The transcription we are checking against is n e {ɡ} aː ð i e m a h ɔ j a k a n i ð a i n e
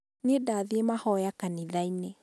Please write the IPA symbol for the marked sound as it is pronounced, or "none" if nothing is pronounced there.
d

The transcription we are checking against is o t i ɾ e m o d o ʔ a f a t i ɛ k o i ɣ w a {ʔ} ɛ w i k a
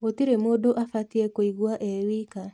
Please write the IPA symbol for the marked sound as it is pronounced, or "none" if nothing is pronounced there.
ʔ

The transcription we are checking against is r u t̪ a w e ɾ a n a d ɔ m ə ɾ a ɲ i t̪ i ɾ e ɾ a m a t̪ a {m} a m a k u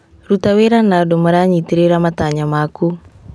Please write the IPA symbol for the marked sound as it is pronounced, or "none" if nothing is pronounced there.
ɲ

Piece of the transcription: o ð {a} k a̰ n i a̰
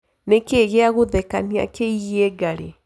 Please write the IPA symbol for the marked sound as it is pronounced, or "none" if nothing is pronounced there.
ɛ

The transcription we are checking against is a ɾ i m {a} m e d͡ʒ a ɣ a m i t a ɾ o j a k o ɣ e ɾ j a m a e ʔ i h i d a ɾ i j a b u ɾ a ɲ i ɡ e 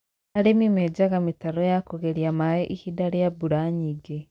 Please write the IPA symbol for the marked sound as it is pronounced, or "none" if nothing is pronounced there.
i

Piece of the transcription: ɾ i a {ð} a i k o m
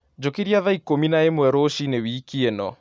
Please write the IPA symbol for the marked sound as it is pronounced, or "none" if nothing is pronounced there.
ð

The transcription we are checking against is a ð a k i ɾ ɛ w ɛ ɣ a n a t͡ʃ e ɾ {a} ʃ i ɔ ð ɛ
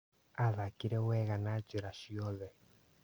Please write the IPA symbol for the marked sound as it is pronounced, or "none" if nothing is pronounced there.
a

